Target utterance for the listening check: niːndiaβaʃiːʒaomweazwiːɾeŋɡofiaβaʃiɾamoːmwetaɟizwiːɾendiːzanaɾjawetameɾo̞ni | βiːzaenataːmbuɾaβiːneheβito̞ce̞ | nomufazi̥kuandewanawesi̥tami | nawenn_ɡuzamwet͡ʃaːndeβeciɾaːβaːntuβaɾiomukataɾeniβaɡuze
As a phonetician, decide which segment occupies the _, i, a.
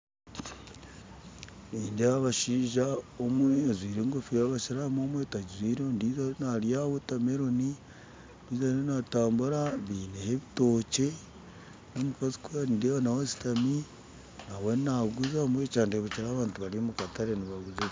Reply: a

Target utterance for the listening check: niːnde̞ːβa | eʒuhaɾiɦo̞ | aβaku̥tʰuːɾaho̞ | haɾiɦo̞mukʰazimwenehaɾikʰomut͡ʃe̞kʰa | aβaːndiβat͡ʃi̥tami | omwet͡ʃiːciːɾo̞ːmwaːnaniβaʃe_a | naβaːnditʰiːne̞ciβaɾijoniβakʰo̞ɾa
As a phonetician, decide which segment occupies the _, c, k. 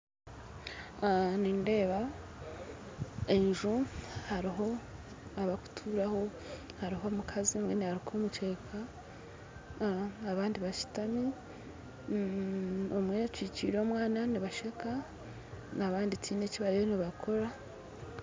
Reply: k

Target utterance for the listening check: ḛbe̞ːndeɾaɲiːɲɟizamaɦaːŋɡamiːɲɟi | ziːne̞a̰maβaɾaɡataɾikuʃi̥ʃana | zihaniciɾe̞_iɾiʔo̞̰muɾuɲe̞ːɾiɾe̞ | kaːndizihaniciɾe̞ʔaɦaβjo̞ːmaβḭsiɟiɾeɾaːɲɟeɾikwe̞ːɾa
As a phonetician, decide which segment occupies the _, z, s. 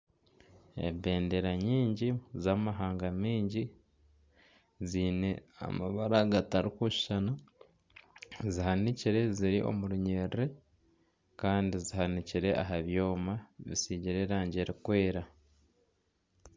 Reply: z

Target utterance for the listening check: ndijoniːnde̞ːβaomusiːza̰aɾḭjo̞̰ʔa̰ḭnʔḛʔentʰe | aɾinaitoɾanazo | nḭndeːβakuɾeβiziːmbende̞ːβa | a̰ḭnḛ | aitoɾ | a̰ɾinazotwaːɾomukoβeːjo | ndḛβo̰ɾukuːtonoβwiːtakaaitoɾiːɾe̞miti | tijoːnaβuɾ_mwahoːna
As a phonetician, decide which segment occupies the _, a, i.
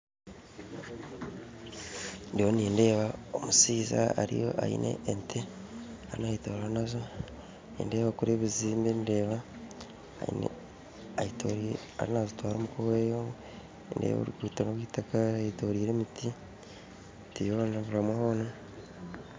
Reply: a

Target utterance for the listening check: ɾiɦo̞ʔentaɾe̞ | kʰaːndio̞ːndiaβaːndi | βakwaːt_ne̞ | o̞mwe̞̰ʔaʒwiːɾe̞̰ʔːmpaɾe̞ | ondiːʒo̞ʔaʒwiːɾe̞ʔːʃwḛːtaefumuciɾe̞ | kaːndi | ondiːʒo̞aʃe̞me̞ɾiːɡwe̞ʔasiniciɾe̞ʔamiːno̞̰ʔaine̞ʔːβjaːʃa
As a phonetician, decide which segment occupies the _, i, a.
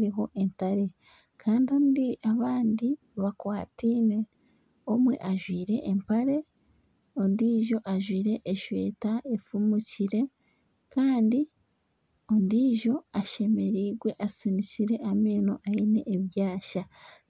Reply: i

